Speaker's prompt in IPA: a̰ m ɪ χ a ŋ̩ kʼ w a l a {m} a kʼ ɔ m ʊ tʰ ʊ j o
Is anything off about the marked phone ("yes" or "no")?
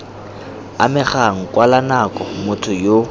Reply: yes